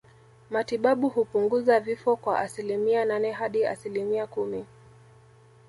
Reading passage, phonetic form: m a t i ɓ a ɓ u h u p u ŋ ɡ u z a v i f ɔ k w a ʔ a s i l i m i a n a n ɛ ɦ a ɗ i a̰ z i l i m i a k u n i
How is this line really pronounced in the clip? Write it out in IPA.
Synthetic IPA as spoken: m a t i ɓ a ɓ u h u p u ŋ ɡ u z a v i f ɔ k w a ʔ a s i l i m i a n a n ɛ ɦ a ɗ i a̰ s i l i m i a k u m i